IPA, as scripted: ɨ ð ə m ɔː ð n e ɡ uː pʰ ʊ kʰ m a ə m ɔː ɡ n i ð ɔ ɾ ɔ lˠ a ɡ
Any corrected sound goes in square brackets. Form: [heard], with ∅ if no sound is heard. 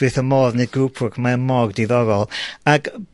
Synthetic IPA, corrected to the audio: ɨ [θ] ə m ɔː ð n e ɡ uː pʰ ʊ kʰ m a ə m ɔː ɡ [d] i ð ɔ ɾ ɔ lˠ a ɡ